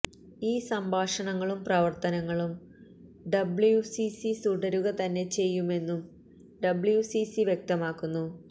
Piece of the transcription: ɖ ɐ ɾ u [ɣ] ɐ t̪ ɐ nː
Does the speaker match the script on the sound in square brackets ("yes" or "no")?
yes